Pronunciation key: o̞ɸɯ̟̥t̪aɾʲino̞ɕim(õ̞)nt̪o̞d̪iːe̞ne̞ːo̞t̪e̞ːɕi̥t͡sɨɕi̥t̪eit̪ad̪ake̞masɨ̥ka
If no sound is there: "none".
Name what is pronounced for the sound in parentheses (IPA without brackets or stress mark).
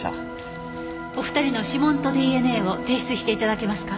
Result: õ̞